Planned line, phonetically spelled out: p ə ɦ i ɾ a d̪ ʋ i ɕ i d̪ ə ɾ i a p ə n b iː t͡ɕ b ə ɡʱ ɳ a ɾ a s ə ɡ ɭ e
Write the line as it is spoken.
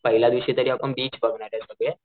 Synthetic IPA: p ə ɦ i l a d̪ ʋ i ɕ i t̪ ə ɾ i a p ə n b iː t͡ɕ b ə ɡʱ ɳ a ɾ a s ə ɡ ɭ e